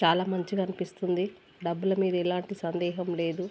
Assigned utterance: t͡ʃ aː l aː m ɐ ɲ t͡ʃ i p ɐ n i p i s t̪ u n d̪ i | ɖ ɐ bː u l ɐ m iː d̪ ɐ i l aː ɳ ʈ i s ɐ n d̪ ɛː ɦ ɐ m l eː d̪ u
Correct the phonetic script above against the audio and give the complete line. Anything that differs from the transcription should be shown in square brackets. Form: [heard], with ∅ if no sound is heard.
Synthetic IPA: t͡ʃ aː l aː m ɐ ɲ t͡ʃ i [k] ɐ n i p i s t̪ u n d̪ i | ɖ ɐ bː u l ɐ m iː d̪ ɐ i l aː ɳ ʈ i s ɐ n d̪ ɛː ɦ ɐ m l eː d̪ u